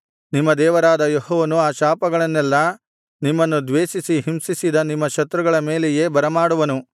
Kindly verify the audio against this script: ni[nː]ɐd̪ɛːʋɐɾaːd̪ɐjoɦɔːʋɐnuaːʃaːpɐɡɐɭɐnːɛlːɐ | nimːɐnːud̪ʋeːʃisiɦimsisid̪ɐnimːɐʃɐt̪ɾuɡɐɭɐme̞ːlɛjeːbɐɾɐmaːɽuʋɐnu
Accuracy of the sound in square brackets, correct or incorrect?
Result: incorrect